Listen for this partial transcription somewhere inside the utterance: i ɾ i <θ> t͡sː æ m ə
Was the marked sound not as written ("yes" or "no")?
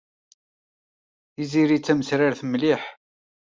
yes